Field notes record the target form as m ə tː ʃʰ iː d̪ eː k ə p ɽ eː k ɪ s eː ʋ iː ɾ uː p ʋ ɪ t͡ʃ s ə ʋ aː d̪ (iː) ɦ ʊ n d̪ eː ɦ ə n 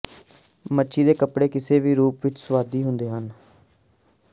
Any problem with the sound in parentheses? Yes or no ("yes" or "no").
no